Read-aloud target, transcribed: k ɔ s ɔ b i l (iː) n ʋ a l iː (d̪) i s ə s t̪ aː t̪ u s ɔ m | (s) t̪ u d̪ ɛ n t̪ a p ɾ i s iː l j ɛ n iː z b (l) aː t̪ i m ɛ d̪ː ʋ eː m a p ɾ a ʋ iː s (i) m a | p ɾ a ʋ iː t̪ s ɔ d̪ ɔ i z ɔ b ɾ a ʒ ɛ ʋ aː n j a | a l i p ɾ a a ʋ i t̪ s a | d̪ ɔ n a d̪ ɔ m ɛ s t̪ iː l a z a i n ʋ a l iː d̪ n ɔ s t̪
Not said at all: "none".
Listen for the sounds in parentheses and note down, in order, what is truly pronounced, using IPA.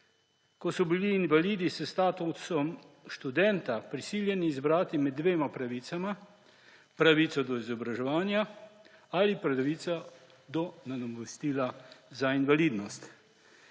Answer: iː, d̪, ʃ, ɾ, a

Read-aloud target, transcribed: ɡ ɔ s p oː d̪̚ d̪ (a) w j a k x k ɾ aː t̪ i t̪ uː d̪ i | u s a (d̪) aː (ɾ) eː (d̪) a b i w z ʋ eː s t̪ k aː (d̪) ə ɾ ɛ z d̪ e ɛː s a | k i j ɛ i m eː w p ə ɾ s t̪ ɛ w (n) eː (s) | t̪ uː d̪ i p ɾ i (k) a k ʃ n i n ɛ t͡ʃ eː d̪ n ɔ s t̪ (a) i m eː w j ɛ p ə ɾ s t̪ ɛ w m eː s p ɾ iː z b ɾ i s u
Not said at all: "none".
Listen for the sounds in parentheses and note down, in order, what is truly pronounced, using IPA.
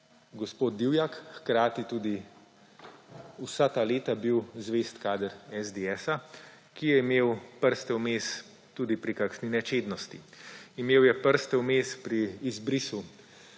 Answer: i, t̪, l, t̪, d̪, m, s, k, i

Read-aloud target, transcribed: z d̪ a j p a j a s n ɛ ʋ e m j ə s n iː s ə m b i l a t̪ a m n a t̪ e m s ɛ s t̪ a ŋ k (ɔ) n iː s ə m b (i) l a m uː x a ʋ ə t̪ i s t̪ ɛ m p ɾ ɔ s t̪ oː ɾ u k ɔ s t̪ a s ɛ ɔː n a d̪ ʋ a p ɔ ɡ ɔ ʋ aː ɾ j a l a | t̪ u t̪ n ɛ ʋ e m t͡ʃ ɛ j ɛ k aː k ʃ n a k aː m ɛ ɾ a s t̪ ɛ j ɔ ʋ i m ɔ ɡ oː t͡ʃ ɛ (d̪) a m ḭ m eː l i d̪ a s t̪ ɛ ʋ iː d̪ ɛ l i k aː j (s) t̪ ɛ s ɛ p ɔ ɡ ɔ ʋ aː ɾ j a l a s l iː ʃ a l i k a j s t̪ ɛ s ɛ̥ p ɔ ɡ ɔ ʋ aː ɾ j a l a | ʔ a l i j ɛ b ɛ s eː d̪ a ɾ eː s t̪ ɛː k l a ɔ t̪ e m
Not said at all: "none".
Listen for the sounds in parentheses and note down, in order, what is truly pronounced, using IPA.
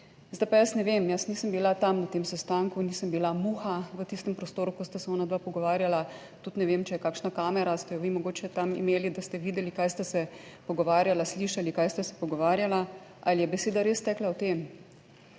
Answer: u, i, t̪, s

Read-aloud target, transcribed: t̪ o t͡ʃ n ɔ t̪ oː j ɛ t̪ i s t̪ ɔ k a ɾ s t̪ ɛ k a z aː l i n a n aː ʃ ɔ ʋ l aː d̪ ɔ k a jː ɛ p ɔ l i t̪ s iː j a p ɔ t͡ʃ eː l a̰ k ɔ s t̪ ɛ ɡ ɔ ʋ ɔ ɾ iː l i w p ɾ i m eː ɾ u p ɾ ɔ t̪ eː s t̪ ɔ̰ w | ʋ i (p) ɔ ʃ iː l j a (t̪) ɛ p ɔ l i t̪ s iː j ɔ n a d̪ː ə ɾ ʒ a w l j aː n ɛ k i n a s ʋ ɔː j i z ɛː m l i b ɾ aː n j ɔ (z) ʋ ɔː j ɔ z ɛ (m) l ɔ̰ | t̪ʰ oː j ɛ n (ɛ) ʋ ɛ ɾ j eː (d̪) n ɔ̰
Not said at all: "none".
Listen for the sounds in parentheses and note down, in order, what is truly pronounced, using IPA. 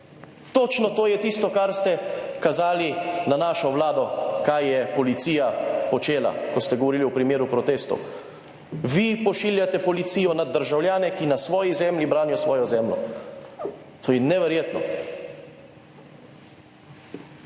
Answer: p, t̪, s, m, ɛ, t̪

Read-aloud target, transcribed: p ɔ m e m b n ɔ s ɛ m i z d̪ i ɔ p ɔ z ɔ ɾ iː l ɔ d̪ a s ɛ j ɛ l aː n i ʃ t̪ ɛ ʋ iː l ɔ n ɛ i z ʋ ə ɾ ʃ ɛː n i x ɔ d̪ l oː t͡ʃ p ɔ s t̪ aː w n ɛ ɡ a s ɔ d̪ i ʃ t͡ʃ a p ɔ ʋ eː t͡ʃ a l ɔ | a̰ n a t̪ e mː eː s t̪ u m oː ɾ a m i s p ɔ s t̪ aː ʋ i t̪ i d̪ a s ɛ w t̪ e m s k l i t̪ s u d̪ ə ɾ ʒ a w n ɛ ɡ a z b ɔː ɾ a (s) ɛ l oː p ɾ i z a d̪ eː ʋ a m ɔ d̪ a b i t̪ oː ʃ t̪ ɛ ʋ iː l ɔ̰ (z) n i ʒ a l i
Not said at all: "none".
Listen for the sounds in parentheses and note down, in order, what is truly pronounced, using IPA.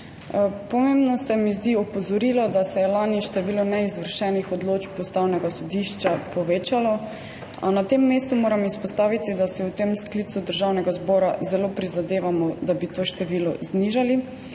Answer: z, z

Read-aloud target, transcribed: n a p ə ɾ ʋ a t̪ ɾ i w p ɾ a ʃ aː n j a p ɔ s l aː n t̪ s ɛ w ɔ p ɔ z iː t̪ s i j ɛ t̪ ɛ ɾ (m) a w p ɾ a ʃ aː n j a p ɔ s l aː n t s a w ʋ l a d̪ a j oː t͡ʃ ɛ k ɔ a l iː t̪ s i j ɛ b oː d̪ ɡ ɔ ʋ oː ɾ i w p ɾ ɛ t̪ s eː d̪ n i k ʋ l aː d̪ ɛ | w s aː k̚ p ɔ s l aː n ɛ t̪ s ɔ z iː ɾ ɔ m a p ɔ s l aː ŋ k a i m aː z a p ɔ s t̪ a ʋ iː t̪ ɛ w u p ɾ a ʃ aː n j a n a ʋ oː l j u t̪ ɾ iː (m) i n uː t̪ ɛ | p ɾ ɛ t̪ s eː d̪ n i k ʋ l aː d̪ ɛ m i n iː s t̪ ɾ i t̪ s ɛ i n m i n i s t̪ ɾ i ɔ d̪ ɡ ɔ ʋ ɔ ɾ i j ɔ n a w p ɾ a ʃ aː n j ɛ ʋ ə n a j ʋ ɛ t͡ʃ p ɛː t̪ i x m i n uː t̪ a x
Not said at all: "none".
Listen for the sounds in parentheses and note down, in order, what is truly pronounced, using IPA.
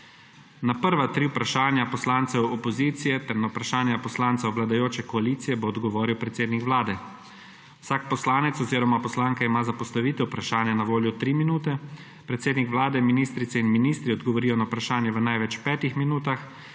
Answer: n, m

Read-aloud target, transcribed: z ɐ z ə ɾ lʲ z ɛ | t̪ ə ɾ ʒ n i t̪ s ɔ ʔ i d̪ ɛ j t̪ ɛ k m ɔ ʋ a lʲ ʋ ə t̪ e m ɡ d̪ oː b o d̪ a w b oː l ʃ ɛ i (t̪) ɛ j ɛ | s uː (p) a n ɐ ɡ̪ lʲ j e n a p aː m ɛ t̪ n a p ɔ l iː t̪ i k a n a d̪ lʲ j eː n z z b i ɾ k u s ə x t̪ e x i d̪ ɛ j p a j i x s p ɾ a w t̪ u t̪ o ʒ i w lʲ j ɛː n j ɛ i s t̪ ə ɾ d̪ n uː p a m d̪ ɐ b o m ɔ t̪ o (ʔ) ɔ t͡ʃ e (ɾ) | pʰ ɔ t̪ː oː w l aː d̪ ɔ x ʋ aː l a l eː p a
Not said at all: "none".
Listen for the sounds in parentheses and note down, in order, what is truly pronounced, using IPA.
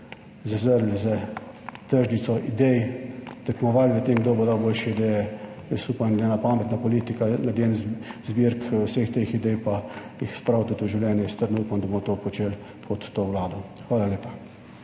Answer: d̪, p, p, l

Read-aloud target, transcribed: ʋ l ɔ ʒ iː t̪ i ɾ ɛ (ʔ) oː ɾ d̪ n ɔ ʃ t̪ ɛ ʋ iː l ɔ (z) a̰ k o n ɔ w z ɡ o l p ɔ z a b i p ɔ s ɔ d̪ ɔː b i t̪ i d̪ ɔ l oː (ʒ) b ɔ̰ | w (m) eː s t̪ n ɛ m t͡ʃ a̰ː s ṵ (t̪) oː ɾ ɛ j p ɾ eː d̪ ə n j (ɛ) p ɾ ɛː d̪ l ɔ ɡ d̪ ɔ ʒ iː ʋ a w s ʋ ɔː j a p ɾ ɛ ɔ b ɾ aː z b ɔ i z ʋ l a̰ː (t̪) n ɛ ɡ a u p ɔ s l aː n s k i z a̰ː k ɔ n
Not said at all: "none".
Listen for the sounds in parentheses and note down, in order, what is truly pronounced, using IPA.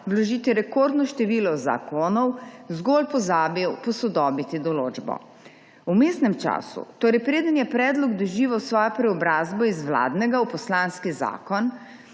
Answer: k, z, d͡ʒ, m, t̪, ɛ, d̪

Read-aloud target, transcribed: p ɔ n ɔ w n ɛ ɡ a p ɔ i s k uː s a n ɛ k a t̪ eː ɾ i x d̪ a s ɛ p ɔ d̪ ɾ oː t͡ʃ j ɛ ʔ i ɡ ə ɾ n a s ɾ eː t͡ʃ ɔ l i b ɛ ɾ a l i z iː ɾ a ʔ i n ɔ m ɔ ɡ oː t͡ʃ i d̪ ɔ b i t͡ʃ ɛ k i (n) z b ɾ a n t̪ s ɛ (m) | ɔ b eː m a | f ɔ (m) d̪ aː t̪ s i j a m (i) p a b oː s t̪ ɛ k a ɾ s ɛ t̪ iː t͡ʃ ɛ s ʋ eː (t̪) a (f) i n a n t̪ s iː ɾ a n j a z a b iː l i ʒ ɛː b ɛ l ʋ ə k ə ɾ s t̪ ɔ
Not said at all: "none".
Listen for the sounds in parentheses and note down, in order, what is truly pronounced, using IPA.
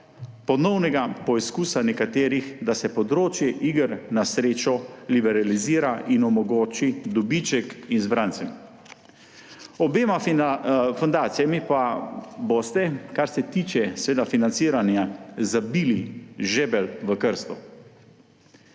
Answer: n, m, n, i, d̪, f

